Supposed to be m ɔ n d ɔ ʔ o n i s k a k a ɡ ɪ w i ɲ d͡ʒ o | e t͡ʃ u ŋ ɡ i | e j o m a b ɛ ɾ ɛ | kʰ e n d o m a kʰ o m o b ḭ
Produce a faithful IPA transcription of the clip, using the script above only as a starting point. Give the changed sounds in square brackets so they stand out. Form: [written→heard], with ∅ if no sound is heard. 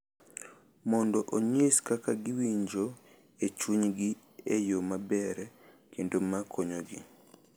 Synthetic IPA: m ɔ n d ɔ ʔ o [n→ɲ] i s k a k a ɡ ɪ w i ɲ d͡ʒ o | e t͡ʃ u [ŋ→ɲ] ɡ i | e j o m a b ɛ ɾ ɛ | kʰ e n d o m a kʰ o [m→ɲ] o [b→ɡ] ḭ